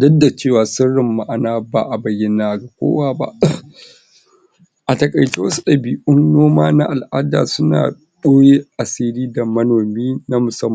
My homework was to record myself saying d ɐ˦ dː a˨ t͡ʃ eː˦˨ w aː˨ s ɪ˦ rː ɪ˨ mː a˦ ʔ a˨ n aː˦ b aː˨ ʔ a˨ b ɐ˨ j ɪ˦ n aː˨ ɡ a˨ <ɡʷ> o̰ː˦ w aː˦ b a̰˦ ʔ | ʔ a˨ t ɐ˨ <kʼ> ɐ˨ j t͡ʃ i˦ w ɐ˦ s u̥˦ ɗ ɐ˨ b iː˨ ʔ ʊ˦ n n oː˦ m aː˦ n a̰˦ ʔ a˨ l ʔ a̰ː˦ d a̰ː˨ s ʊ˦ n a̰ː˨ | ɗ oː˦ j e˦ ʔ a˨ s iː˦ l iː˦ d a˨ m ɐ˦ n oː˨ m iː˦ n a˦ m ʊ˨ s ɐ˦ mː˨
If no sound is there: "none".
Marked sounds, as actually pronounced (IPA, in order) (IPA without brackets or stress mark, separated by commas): kʷ, kʼ